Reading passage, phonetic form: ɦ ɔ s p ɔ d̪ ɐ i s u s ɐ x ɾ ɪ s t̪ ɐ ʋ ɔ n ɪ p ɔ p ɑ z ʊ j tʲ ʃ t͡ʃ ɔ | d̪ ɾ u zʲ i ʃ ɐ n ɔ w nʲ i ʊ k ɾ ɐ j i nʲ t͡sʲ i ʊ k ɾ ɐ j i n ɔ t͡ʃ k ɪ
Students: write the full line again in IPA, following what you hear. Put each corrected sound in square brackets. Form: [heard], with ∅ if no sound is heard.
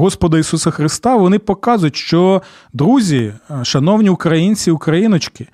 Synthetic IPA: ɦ ɔ s p ɔ d̪ ɐ i s u s ɐ x ɾ ɪ s t̪ [ɑ] ʋ ɔ n ɪ p ɔ [k] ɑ z ʊ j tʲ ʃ t͡ʃ ɔ | d̪ ɾ u zʲ i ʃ ɐ n ɔ w nʲ i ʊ k ɾ ɐ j i nʲ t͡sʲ i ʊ k ɾ ɐ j i n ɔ t͡ʃ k ɪ